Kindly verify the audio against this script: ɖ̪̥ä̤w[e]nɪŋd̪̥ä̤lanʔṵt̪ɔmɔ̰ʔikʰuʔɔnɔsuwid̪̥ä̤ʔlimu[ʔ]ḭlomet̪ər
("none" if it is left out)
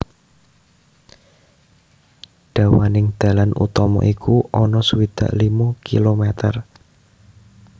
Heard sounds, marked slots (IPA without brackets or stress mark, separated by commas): a, k